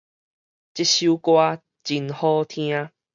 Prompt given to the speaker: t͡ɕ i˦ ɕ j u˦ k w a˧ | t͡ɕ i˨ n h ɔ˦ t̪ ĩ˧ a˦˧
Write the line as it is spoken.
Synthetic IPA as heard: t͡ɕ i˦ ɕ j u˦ k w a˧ | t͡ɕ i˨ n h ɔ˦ t̪ʰ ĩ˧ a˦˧